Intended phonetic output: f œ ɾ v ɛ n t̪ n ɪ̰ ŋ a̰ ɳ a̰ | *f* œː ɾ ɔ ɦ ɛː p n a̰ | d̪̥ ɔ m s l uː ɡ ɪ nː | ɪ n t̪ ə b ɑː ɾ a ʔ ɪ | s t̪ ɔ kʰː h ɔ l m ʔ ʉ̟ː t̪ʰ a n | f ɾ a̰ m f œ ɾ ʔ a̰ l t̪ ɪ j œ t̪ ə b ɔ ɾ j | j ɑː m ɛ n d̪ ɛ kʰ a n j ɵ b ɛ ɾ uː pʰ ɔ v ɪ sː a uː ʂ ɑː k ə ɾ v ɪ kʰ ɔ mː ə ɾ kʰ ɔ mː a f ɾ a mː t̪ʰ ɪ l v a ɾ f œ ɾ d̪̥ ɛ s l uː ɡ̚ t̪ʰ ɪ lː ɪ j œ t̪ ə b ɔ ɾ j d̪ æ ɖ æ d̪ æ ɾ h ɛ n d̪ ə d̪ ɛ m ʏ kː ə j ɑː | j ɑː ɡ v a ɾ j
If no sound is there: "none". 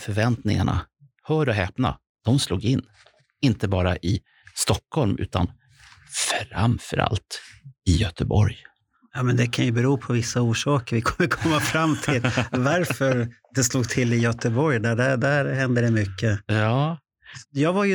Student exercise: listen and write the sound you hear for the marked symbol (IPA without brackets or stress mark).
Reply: h